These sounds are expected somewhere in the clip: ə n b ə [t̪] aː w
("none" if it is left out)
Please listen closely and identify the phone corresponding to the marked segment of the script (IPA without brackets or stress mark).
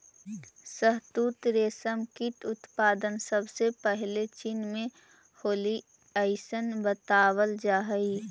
t̪